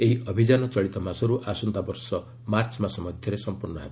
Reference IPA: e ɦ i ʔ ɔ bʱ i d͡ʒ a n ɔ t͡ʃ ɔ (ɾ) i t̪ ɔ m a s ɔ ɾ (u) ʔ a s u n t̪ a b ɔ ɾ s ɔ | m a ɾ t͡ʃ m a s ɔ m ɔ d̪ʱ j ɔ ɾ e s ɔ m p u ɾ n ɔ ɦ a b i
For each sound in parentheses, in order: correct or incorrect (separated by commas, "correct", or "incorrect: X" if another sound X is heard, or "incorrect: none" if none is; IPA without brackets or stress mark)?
incorrect: ɭ, correct